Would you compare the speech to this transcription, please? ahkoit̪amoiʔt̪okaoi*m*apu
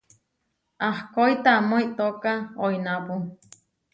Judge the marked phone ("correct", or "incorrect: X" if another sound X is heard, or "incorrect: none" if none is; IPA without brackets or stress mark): incorrect: n